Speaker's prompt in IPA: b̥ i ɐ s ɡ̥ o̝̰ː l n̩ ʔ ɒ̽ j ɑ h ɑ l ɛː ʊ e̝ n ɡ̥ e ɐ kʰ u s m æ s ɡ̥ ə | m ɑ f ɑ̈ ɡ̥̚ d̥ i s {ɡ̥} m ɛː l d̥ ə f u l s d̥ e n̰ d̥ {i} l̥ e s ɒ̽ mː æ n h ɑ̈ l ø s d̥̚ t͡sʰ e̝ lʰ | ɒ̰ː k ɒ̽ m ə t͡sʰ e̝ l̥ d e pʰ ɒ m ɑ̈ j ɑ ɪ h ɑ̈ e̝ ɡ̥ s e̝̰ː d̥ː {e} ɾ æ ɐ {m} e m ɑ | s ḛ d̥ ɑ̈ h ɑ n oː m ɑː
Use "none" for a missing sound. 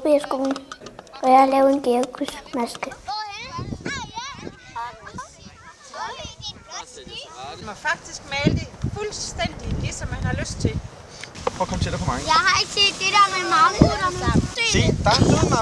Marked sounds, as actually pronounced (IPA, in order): ɡ̥, i, e, m

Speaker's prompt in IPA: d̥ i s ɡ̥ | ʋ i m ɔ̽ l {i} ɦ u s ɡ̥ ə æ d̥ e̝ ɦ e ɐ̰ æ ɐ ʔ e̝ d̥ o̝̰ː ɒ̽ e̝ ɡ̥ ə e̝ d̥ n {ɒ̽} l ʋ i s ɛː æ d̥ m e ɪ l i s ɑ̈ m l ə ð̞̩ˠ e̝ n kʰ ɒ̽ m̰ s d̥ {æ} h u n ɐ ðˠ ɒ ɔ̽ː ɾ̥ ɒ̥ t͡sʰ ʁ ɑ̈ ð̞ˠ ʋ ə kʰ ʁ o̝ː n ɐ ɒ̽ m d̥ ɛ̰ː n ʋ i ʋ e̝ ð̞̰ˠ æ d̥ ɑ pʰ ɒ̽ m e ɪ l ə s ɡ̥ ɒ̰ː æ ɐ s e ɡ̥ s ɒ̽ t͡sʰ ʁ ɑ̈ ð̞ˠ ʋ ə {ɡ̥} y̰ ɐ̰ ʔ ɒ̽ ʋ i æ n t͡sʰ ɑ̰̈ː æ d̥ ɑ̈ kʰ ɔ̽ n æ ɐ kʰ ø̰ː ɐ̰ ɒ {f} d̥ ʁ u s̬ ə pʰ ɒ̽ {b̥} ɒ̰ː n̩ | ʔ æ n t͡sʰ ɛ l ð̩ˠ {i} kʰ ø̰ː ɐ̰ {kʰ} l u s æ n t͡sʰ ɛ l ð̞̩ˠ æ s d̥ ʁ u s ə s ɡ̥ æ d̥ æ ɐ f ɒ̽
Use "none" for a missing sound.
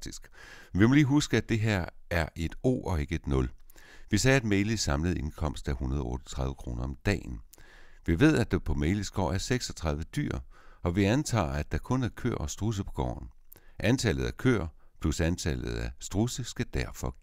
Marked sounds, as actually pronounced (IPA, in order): iː, ɔ̽, æ, d̥, s, ɡ̥, æ, pʰ

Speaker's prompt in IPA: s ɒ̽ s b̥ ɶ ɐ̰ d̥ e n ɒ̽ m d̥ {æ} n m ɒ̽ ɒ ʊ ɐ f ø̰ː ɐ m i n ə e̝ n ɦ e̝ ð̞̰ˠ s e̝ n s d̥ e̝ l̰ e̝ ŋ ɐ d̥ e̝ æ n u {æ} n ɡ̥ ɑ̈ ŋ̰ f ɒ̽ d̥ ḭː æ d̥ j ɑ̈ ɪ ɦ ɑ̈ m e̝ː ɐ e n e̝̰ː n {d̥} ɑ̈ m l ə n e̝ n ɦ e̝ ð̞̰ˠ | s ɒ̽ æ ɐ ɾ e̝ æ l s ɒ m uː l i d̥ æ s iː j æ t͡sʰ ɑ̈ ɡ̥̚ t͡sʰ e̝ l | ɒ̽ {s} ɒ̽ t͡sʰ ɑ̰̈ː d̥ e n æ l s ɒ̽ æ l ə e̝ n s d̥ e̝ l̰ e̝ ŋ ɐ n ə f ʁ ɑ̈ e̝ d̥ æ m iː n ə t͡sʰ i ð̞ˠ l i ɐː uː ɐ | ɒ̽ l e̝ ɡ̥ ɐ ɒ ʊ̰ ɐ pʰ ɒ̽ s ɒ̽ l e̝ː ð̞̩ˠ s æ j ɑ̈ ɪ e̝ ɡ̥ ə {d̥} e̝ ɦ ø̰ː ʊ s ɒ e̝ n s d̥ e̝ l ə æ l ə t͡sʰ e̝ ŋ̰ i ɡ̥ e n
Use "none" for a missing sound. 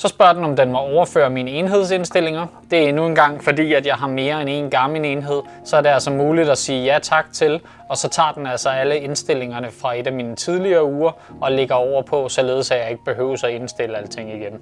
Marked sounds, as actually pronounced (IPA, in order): e, e, ɡ̥, s, b̥

